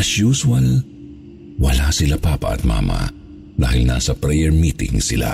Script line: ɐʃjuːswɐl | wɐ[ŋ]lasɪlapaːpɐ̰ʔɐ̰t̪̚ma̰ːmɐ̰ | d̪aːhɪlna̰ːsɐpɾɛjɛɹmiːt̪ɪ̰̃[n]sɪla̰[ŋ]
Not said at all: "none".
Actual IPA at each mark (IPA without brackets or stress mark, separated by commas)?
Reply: none, ŋ, none